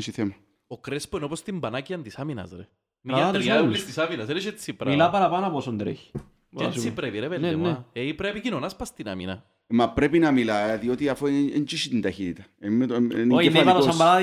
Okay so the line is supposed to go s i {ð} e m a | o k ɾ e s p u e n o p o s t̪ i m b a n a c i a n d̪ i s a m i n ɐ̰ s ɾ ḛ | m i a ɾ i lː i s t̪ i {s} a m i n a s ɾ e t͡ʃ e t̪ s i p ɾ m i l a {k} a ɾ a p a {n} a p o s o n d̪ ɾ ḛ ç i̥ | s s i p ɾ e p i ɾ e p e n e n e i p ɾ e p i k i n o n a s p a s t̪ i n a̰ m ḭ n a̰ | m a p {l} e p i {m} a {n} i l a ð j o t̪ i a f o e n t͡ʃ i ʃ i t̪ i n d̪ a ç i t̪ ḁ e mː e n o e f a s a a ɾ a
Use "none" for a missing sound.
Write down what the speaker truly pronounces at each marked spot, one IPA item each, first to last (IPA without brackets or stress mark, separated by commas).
θ, s, p, n, ɾ, n, m